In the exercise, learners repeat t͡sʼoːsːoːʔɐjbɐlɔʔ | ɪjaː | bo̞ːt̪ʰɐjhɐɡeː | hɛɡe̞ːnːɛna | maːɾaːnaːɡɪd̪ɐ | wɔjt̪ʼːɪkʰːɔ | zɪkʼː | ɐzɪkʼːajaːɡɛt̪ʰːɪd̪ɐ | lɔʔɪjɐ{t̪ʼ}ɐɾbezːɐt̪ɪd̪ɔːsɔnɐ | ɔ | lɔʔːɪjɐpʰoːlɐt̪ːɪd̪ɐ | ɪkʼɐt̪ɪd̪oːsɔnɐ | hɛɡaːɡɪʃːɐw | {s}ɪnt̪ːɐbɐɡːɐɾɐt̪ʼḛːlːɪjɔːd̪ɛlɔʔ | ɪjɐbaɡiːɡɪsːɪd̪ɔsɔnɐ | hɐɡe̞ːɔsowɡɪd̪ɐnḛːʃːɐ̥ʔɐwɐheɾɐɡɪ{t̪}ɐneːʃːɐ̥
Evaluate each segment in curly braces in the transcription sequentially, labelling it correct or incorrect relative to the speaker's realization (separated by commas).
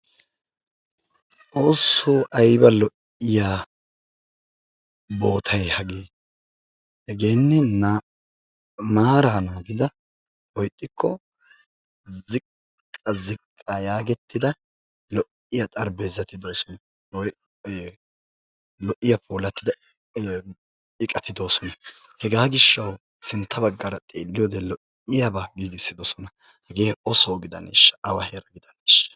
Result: correct, correct, incorrect